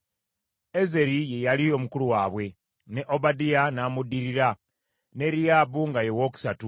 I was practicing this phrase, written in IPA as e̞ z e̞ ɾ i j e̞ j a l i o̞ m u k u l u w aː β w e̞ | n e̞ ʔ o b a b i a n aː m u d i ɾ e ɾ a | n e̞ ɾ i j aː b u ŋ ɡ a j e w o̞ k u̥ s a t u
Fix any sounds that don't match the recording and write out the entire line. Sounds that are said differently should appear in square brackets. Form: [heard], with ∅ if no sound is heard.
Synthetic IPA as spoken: e̞ z e̞ ɾ i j e̞ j a l i o̞ m u k u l u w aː β w e̞ | n e̞ ʔ o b a [d] i a n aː m u d i ɾ [i] ɾ a | n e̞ ɾ i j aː b u ŋ ɡ a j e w o̞ k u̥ s a t u